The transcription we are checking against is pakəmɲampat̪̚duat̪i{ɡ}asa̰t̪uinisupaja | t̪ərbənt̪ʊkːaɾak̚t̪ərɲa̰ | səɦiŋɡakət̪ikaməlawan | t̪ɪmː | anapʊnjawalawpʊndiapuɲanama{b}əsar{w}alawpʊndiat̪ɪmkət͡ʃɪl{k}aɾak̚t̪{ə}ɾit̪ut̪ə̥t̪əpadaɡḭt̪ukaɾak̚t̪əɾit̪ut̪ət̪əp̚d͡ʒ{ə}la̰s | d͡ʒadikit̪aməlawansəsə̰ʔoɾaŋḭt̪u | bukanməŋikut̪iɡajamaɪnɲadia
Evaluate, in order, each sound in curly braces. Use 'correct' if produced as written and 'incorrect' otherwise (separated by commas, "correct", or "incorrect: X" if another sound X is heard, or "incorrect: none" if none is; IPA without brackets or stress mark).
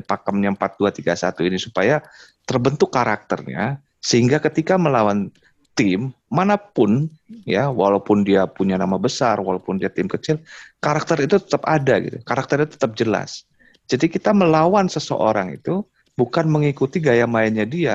correct, correct, correct, correct, correct, correct